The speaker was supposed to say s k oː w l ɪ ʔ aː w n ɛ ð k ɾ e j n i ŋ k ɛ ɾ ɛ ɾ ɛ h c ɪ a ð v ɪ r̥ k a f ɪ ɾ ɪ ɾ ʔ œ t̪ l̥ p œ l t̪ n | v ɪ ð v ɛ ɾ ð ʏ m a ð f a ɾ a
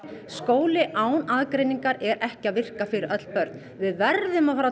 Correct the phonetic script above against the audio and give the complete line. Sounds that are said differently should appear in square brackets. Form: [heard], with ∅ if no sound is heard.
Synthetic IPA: s k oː w l ɪ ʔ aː w n [a] ð k ɾ e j n i ŋ k [a] ɾ ɛ ɾ ɛ h c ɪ a ð v ɪ r̥ k a f ɪ ɾ ɪ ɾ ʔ œ t̪ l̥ p œ [ɾ] t̪ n | v ɪ ð v ɛ ɾ ð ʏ m a ð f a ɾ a